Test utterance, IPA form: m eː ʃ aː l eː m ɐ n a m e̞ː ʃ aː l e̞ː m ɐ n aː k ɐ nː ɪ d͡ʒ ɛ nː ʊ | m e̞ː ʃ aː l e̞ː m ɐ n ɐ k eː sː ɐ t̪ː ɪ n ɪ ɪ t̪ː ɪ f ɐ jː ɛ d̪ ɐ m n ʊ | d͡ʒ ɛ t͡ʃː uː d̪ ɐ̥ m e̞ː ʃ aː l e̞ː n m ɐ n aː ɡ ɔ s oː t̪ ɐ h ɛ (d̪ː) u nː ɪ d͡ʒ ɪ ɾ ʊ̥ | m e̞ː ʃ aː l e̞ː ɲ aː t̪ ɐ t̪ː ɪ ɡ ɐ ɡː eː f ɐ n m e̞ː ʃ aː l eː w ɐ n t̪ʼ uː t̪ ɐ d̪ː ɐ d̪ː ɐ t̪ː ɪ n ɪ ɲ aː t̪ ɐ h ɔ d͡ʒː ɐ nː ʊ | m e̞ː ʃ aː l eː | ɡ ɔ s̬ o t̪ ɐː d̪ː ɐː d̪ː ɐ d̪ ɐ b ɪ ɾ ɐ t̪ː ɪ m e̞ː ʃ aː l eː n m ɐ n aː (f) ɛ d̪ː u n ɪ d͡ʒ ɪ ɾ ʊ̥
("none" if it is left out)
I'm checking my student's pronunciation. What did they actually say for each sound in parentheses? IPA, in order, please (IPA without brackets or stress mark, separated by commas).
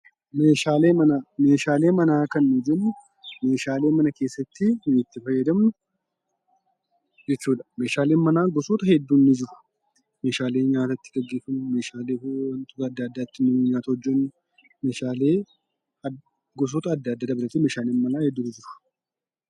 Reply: d̪ː, h